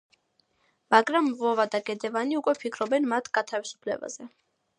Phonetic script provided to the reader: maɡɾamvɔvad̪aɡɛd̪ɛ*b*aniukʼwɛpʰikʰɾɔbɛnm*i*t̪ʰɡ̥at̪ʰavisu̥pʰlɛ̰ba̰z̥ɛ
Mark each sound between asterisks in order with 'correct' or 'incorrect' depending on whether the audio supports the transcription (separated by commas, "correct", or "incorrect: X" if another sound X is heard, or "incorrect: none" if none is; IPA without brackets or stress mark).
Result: incorrect: v, incorrect: a